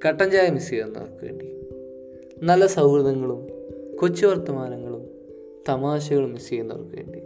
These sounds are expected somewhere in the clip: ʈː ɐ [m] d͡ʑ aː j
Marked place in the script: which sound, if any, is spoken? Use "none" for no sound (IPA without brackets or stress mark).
ɲ